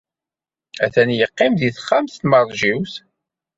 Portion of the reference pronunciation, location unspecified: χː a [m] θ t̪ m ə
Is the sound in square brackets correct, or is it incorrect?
correct